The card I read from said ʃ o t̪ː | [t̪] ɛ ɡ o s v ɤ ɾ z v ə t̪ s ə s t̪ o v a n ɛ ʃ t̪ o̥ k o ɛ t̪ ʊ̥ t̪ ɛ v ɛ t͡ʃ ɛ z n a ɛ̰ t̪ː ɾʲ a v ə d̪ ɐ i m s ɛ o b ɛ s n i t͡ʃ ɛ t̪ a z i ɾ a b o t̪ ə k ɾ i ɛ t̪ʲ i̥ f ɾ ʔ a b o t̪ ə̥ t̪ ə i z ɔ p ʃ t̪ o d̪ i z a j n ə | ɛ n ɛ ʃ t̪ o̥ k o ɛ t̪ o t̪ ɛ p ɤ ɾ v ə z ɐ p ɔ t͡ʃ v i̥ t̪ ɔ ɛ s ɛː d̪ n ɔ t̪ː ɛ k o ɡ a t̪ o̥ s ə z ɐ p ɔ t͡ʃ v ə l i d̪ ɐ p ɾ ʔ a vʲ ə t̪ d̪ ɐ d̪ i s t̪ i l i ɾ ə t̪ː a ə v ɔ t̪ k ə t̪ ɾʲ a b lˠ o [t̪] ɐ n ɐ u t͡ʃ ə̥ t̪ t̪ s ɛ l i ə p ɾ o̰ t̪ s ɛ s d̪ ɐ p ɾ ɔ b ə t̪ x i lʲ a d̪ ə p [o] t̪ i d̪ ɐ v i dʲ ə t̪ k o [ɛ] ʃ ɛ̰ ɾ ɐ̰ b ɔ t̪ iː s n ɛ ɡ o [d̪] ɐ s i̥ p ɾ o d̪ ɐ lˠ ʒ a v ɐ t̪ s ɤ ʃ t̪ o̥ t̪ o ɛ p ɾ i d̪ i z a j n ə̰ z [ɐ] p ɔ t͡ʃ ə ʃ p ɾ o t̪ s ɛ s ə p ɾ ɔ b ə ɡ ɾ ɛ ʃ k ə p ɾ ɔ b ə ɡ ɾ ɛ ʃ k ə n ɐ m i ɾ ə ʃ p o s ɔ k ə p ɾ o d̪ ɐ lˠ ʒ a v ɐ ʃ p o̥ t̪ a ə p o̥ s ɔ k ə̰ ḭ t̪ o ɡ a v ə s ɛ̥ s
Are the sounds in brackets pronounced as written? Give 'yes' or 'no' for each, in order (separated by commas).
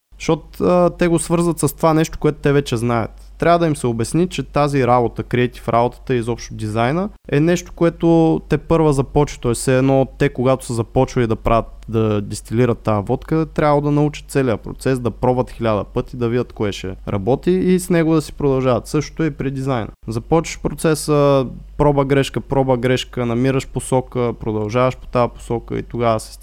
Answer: yes, no, no, yes, yes, yes